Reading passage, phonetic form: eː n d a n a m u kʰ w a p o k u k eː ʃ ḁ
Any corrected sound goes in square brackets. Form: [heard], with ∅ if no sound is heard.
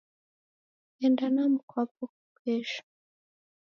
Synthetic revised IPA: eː n d a n a m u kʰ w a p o k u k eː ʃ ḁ